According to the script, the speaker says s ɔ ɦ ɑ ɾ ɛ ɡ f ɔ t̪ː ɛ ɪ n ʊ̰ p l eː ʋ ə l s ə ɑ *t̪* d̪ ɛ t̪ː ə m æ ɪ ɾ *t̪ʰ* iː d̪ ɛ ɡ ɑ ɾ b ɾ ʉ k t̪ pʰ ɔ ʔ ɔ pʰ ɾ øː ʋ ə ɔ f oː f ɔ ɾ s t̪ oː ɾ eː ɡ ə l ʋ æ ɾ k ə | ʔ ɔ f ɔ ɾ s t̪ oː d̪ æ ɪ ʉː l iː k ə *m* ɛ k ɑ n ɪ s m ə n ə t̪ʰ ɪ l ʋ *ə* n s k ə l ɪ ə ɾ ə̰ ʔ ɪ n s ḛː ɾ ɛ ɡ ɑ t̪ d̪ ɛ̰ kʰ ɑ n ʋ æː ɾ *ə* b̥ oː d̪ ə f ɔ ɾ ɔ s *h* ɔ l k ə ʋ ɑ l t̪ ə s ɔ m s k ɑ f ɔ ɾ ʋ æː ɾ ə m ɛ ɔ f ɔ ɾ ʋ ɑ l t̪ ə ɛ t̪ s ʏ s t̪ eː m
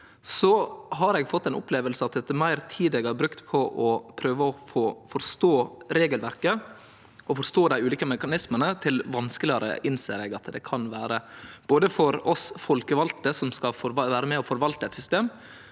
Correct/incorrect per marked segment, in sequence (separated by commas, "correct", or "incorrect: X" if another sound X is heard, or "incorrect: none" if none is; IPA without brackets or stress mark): correct, correct, correct, incorrect: ɑ, correct, incorrect: f